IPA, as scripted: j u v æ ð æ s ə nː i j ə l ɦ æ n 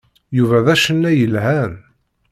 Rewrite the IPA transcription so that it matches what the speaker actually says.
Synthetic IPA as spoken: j u v æ ð æ ʃ ə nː æ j ə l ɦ æ n

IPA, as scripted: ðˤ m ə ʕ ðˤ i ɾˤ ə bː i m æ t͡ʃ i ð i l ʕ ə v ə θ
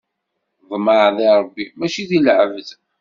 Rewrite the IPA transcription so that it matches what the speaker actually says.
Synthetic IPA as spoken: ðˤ m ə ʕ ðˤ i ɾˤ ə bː i m æ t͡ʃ i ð i l ʕ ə v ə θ

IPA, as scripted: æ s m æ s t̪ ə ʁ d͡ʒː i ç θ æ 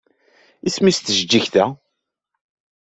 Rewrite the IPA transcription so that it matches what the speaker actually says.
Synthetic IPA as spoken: i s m i s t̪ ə ʒ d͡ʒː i ç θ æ

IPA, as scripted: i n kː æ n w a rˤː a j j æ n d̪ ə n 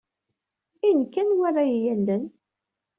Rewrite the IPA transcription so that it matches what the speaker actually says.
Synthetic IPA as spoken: i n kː æ n w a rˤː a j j æ n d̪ ə n

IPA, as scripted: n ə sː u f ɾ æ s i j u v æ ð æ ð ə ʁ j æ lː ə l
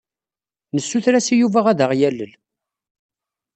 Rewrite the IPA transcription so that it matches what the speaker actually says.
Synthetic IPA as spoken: n ə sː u θ ɾ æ s i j u v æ ʁ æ ð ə ʁ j æ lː ə l

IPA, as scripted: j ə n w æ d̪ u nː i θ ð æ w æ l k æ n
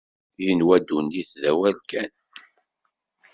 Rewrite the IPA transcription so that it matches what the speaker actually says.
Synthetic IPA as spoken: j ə n w æ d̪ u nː i θ ð æ w æ l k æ n

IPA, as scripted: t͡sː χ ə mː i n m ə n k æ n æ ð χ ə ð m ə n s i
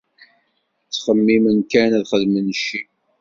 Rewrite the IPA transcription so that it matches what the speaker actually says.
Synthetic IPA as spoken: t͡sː χ ə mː i m ə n k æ n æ ð χ ə ð m ə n ʃ i

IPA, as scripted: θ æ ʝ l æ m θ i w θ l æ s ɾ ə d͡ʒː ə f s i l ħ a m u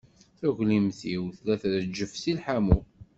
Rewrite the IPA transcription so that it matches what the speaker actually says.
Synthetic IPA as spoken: θ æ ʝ l i m θ i w θ l æ θ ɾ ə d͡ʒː ə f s i l ħ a m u

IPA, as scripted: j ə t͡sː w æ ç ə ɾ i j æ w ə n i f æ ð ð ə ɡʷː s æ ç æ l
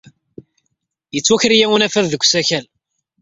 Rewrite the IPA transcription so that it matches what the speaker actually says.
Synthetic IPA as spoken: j ə t͡sː w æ ç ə ɾ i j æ w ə n æ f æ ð ð ə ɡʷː s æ ç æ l

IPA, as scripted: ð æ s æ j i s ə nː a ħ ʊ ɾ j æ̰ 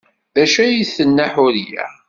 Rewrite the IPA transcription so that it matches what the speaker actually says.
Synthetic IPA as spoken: ð æ ʃ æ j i θ ə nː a ħ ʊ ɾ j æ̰

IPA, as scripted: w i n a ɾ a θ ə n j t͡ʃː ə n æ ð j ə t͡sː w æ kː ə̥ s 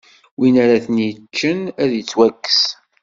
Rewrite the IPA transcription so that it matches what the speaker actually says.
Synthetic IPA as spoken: w i n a ɾ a θ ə n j t͡ʃː ə n æ ð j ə t͡sː w æ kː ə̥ s

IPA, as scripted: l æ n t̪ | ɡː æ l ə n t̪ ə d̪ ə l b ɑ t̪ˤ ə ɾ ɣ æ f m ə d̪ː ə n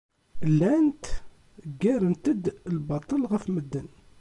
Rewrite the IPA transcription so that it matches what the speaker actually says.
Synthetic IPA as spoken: l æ n t̪ | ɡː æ ɾ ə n t̪ ə d̪ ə l b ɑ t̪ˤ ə l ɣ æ f m ə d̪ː ə n

